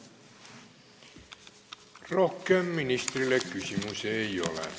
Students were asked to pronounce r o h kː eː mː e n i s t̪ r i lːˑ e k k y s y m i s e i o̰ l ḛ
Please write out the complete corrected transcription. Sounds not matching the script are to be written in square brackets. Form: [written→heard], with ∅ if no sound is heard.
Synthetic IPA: r o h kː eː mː [e→i] n i s t̪ r i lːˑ e k k y s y m [i→y] s e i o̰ l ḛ